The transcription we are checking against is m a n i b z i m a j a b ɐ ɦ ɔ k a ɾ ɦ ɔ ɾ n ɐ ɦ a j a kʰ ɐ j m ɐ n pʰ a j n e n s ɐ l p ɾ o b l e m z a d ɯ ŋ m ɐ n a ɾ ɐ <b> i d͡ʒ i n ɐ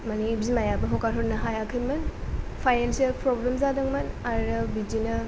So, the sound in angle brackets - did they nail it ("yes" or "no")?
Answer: yes